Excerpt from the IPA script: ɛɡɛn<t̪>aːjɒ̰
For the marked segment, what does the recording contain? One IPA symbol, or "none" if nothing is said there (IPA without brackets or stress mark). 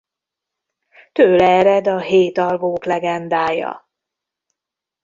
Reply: d̪